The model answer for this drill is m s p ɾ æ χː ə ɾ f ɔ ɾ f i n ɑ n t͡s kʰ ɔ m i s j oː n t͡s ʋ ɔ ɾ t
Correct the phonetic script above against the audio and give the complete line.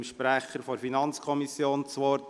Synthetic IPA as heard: m ʃ p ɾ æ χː ə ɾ f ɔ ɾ f i n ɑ n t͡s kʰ ɔ m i s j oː n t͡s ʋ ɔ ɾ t